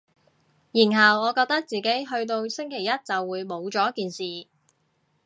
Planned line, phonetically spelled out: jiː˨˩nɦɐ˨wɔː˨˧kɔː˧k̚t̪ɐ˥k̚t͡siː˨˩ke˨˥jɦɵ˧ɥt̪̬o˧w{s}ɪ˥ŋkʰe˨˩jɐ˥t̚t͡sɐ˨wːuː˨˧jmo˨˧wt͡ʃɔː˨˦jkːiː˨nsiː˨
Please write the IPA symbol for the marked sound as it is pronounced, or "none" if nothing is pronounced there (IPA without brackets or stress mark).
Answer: s